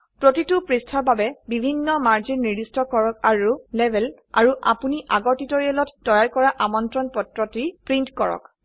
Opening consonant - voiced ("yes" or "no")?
no